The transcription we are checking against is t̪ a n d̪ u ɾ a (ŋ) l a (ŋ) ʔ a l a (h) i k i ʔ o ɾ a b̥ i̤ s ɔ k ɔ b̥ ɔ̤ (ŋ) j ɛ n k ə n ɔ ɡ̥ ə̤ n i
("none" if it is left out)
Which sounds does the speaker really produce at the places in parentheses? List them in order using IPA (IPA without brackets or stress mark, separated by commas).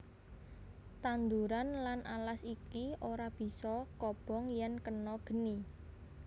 n, n, s, ŋ